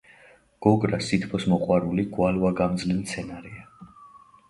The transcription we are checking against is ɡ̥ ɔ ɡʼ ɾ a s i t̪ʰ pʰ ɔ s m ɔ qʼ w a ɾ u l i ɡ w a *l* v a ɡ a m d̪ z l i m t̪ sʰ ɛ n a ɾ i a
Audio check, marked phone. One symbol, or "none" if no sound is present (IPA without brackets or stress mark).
l